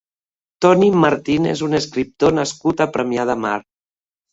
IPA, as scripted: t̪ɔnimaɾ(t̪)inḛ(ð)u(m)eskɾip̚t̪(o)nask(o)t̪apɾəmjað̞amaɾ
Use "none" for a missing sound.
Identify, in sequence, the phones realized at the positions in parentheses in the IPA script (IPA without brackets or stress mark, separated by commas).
t̪, z, n, o, u